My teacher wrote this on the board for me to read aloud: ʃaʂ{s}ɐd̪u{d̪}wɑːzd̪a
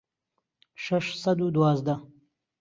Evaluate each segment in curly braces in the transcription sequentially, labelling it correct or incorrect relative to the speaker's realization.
correct, correct

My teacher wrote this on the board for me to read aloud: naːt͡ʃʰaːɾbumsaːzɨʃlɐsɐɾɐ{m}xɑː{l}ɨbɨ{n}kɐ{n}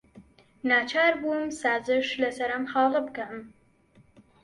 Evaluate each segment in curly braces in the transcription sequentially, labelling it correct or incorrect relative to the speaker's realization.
correct, correct, incorrect: none, incorrect: m

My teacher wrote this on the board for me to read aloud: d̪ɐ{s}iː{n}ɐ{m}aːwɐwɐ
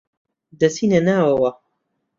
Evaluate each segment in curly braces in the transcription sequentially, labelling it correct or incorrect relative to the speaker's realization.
correct, correct, incorrect: n

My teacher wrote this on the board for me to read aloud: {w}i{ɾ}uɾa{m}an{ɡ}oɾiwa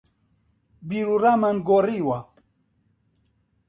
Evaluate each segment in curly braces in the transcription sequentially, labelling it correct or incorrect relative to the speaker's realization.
incorrect: b, correct, correct, correct

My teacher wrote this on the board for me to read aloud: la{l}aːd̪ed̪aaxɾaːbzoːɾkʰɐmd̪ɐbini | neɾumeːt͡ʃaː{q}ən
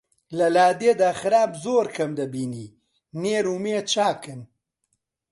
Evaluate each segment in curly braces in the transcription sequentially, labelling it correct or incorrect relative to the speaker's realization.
correct, incorrect: k

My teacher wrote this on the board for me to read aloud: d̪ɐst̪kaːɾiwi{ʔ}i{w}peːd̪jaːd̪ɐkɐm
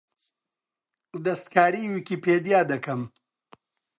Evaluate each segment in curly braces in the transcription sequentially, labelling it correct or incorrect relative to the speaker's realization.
incorrect: k, incorrect: none

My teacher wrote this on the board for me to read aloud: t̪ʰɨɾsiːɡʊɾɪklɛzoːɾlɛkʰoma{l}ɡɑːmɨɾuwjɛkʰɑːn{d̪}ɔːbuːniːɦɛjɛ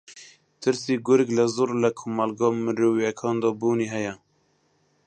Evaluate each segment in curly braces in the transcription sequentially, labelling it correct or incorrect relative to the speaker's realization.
correct, correct

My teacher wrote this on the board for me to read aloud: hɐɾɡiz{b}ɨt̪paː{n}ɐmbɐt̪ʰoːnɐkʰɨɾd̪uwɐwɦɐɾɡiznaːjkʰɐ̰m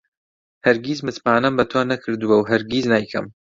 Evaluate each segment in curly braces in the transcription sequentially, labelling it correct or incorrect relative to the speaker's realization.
incorrect: m, correct

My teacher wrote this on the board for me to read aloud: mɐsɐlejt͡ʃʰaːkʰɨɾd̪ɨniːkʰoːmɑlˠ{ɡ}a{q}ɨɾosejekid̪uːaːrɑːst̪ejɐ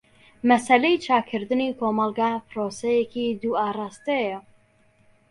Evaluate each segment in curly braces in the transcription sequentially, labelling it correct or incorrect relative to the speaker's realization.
correct, incorrect: p

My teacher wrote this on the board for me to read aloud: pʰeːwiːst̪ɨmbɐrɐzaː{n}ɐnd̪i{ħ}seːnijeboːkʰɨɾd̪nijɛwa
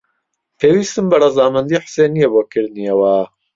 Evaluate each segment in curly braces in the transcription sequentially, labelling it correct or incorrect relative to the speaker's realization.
incorrect: m, correct

